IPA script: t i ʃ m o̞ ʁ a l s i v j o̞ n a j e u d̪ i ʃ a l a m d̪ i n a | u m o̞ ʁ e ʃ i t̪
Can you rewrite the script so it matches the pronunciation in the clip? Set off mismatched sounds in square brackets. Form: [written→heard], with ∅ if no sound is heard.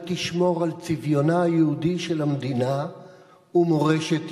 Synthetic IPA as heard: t i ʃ m o̞ ʁ a l [s→t͡s] i v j o̞ n a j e u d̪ i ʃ [a→e] l a m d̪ i n a | u m o̞ ʁ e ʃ [i→e] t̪